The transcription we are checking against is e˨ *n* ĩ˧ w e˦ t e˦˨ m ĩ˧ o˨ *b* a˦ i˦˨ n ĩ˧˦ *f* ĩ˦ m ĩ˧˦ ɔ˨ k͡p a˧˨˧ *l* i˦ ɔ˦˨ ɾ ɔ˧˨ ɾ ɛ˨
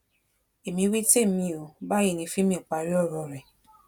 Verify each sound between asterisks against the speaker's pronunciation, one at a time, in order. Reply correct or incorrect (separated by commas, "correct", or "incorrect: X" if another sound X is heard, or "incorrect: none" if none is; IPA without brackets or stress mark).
incorrect: m, correct, correct, incorrect: ɾ